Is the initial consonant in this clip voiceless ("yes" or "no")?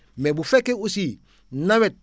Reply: no